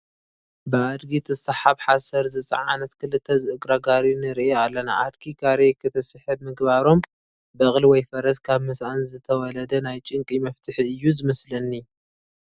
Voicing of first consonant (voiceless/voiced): voiced